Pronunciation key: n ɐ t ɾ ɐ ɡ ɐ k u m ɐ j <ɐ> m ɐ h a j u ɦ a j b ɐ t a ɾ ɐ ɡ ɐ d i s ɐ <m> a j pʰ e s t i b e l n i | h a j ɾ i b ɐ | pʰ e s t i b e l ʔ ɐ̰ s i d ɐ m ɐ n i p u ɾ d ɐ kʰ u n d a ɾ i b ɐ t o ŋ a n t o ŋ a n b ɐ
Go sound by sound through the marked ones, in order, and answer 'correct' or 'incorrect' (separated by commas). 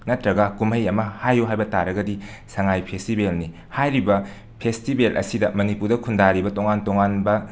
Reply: correct, incorrect